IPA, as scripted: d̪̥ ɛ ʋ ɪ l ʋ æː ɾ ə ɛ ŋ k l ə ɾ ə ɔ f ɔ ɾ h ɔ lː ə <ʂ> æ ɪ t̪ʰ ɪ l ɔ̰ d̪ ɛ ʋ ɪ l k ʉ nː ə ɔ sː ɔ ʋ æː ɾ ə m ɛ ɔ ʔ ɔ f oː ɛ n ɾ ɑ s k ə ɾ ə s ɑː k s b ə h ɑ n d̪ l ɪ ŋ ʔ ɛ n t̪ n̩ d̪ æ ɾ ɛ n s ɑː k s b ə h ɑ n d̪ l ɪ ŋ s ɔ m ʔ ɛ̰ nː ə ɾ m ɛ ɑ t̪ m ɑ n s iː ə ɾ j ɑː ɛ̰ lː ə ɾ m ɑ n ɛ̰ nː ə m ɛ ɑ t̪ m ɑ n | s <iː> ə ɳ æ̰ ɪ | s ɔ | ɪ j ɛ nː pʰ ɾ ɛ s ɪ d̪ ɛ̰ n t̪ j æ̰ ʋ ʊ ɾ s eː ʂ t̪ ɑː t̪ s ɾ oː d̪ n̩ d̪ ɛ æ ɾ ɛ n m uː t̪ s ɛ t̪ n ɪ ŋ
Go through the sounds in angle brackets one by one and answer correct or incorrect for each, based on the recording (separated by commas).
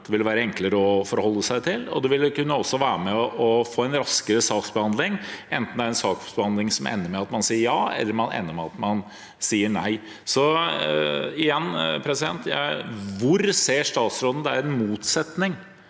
incorrect, correct